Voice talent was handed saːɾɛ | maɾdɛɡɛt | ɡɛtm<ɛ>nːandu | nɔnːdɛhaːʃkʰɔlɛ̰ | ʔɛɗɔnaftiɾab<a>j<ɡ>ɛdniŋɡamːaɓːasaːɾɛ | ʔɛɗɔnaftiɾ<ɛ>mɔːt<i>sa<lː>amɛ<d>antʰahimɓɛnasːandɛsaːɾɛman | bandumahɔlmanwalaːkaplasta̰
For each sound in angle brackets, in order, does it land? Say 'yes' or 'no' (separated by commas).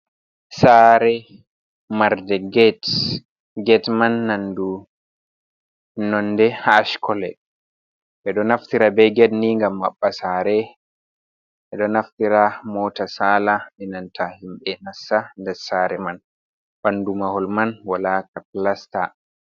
no, no, yes, no, no, no, no